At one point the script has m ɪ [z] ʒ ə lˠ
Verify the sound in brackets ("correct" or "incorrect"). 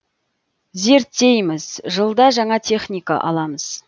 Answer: correct